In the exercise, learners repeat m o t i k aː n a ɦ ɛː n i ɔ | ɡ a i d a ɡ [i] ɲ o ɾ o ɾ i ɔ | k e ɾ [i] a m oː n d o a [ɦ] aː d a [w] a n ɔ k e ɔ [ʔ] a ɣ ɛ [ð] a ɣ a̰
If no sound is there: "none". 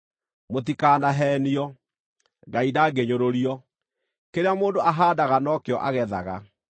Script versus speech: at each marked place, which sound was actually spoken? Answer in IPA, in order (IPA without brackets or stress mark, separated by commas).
e, e, ɦ, ɣ, ʔ, ð